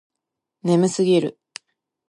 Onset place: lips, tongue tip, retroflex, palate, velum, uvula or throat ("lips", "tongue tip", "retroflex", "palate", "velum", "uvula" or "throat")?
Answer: tongue tip